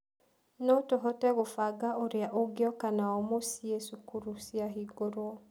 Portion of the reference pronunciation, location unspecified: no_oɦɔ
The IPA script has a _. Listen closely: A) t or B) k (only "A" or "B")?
A